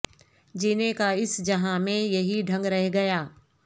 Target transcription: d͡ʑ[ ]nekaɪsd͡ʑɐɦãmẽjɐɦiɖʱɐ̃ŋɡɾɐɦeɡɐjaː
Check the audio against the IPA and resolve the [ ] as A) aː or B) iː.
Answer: B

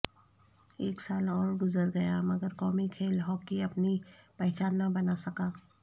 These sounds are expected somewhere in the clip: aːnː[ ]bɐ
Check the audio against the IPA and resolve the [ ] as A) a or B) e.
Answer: A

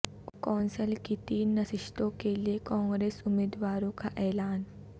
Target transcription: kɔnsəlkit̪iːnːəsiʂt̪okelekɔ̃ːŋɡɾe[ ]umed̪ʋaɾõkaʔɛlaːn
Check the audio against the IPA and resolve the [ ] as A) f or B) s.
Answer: B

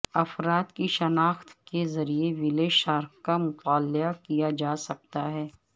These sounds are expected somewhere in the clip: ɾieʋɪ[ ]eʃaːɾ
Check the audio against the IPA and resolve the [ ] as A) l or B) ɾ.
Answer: A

